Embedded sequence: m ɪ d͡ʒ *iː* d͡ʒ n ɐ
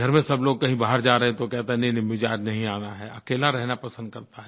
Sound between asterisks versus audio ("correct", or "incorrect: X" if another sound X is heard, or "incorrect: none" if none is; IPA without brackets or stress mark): incorrect: aː